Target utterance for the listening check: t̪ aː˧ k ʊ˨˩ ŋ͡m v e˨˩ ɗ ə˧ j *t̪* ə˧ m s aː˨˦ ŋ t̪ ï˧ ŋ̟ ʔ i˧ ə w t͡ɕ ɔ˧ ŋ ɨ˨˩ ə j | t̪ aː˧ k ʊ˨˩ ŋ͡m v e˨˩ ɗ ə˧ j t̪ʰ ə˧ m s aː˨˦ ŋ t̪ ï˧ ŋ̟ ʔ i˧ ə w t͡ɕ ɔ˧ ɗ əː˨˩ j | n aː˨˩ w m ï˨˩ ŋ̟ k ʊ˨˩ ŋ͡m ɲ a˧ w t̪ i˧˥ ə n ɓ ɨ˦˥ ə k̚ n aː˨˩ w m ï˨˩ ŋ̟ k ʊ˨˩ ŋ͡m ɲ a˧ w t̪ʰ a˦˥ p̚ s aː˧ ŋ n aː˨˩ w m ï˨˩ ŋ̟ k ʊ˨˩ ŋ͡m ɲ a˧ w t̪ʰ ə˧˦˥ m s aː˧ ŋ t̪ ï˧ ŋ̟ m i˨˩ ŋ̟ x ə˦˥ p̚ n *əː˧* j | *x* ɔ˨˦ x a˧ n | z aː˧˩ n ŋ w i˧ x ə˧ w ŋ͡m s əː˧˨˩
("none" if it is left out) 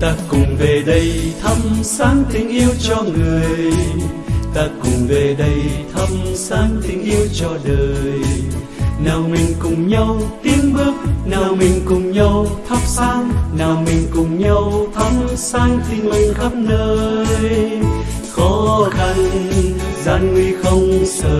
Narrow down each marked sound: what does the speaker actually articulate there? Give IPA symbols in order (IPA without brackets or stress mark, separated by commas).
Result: t̪ʰ, əː˧, x